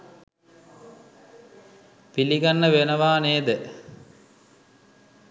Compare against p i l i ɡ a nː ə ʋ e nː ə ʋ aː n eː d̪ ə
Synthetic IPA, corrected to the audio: p i l i ɡ a nː ə ʋ e n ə ʋ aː n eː d̪ ə